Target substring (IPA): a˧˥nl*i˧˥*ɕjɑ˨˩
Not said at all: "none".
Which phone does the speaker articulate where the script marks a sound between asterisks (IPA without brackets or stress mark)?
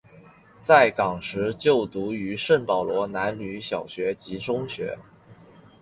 y˧˥